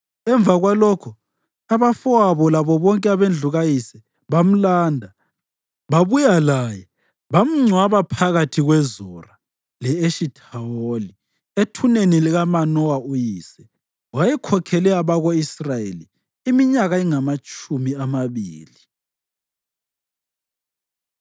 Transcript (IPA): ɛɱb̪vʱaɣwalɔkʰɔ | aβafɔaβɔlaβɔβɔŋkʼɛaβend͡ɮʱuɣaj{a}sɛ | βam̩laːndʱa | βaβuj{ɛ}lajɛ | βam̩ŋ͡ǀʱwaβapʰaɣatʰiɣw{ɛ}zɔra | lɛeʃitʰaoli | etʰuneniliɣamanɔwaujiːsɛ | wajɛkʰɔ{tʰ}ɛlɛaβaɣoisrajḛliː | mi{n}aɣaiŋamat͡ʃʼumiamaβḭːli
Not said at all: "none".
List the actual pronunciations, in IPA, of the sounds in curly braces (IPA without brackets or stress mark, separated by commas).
i, a, ɛ, kʰ, ɲ